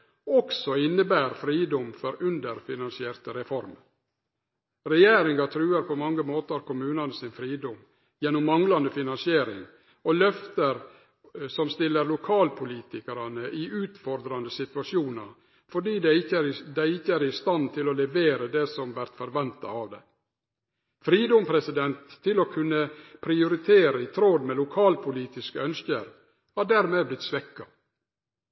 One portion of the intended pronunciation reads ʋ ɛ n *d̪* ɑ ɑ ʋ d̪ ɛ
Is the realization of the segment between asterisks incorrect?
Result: yes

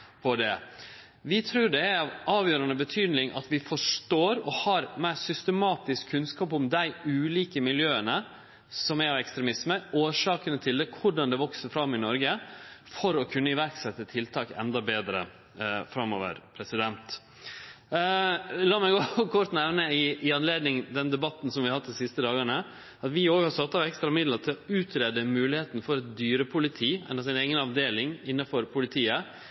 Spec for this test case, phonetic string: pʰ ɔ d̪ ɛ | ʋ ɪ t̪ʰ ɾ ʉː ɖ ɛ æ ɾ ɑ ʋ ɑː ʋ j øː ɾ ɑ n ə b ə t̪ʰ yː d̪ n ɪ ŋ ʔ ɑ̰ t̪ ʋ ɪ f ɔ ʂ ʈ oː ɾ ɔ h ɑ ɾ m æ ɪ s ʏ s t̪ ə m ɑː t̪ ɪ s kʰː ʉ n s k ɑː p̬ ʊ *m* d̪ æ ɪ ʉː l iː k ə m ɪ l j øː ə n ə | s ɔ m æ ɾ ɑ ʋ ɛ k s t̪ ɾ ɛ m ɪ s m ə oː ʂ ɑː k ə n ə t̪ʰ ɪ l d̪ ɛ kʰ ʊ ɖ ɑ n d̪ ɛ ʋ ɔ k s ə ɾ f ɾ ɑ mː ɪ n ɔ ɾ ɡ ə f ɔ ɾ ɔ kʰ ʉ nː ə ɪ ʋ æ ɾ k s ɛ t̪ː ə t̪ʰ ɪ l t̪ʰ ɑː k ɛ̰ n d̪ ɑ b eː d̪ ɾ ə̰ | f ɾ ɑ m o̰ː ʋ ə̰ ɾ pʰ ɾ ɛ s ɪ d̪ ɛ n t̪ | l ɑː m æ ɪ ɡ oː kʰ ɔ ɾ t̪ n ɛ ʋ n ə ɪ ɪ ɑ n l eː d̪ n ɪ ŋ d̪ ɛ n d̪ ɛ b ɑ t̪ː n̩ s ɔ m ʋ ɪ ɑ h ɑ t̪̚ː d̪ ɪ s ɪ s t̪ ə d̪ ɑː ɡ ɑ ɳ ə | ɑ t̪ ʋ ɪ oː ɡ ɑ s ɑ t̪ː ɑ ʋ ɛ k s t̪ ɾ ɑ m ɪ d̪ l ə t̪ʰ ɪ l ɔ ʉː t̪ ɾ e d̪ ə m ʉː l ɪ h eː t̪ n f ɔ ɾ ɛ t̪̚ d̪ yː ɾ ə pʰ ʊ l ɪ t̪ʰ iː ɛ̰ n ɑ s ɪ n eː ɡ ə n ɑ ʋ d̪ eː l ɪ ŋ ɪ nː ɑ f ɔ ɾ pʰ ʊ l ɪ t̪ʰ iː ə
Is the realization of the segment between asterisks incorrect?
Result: no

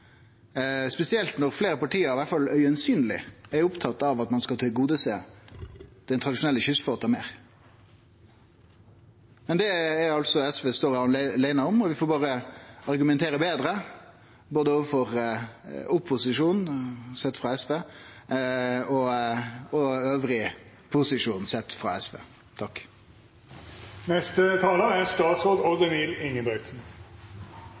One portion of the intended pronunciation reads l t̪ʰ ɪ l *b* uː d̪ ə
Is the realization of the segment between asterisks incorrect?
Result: yes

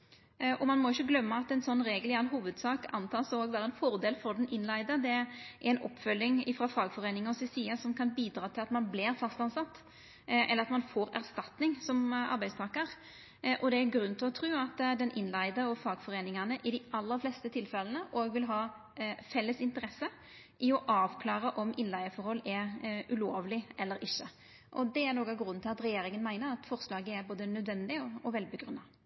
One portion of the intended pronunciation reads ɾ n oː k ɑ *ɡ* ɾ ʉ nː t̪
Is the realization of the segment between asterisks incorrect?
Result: no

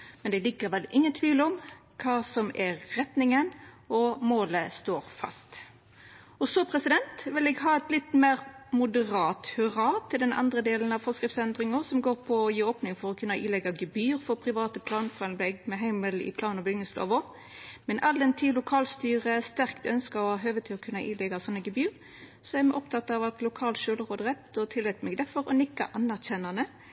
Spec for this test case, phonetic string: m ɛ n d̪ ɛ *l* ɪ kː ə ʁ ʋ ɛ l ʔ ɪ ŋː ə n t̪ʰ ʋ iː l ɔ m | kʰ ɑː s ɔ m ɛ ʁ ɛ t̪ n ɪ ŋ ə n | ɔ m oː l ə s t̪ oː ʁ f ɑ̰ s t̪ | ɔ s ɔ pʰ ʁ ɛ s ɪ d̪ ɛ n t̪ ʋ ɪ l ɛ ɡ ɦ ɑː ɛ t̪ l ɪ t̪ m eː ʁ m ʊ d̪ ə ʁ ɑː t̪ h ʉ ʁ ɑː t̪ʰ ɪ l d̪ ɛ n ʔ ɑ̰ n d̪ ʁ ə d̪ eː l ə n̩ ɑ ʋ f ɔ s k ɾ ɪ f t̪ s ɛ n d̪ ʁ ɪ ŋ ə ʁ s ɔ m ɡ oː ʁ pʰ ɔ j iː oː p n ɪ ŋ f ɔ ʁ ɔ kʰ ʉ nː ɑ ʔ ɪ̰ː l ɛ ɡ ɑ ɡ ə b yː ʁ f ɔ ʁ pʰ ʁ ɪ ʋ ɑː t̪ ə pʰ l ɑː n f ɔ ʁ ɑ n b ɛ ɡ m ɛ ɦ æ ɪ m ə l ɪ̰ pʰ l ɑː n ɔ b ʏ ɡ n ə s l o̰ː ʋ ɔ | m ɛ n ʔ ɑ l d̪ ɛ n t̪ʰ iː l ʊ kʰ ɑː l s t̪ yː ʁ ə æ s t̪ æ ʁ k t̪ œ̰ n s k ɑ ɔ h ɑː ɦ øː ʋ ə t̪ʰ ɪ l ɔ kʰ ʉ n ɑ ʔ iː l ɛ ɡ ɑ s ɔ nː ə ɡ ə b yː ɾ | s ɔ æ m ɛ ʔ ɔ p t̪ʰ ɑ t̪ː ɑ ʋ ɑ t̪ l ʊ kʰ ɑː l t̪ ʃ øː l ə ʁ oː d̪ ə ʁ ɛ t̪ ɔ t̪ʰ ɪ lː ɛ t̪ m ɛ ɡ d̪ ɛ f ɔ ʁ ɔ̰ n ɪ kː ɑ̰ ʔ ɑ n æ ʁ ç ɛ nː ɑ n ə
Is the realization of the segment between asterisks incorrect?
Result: no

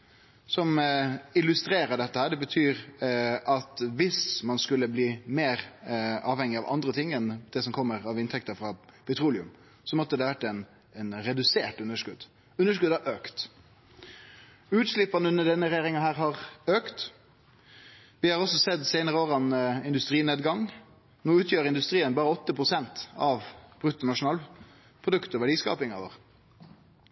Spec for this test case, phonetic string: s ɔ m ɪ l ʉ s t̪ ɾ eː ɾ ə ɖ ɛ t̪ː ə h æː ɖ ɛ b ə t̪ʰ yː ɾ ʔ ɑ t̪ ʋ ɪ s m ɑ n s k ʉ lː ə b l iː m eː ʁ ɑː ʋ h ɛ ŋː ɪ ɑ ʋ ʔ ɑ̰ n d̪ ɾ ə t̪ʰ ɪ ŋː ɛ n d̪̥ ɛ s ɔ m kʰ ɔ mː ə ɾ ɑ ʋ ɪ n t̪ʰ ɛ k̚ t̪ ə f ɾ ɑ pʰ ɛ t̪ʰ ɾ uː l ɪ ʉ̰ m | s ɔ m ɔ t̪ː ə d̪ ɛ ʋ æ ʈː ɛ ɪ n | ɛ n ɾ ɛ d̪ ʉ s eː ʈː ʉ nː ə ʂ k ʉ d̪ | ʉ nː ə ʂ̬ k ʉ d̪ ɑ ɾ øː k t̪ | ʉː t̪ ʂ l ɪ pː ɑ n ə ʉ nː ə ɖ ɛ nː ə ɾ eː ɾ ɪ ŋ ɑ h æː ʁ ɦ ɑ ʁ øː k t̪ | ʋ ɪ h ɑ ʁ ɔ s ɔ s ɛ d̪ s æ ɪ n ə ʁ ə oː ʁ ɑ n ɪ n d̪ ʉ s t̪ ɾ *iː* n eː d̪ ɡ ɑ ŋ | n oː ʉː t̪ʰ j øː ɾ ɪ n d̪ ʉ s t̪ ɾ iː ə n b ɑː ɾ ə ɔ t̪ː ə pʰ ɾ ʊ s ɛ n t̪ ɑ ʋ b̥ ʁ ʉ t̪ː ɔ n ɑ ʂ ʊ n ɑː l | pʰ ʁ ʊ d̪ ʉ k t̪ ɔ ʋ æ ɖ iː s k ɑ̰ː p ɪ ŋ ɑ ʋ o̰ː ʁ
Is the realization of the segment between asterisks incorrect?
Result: no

